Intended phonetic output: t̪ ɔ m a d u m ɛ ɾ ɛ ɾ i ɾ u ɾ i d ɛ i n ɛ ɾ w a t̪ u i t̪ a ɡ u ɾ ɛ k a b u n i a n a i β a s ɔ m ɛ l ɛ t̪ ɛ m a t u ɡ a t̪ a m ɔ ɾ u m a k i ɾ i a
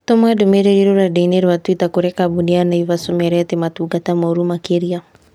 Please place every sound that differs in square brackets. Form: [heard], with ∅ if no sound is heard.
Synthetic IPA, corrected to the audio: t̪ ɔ m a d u m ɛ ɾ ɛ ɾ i ɾ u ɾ [a] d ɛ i n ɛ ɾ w a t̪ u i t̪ a [k] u ɾ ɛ k a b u n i a n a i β a s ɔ m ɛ [ɾ] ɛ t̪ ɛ m a t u ɡ a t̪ a m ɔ ɾ u m a k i ɾ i a